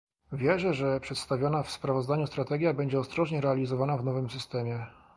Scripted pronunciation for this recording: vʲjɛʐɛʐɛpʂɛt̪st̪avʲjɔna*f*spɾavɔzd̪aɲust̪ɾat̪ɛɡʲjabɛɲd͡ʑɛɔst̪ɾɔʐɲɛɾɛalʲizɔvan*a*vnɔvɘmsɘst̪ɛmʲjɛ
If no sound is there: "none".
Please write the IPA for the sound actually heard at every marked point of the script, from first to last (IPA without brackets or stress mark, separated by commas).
f, a